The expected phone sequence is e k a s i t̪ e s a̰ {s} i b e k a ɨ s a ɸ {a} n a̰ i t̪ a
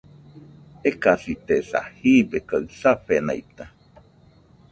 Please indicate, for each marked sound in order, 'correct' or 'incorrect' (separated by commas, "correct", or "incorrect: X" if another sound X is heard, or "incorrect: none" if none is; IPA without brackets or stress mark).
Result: incorrect: h, incorrect: e